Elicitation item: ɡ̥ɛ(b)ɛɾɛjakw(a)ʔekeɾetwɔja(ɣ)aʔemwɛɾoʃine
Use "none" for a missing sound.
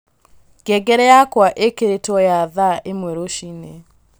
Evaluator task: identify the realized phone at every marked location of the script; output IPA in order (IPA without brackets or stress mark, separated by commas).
ɡ, a, ð